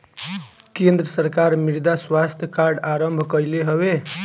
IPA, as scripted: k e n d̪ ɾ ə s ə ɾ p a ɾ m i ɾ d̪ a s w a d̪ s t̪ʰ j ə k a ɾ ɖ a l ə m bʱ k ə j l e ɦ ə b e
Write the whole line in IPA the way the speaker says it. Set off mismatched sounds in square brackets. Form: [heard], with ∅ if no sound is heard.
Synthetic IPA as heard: k e n d̪ ɾ ə s ə ɾ [k] a ɾ m i ɾ d̪ a s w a [∅] s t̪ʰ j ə k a ɾ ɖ a [ɾ] ə m bʱ k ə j l e ɦ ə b e